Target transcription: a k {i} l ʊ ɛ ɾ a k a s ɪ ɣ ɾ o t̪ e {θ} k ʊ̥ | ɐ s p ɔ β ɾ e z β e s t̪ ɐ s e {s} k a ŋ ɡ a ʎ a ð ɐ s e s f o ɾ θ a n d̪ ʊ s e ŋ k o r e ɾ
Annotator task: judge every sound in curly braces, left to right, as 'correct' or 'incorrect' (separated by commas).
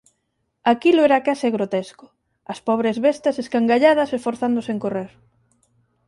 correct, incorrect, correct